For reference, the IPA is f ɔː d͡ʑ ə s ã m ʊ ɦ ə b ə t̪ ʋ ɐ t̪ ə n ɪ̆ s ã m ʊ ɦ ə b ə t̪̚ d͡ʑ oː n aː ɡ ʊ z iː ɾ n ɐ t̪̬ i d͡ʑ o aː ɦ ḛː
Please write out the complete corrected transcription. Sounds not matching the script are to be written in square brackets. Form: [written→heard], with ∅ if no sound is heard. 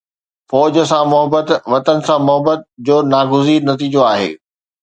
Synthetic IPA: f ɔː d͡ʑ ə s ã m ʊ ɦ ə b ə t̪ ʋ ɐ t̪ ə n ɪ̆ s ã m ʊ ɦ ə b ə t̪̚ d͡ʑ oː n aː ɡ ʊ z iː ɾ n ɐ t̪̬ [i→iː] d͡ʑ o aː ɦ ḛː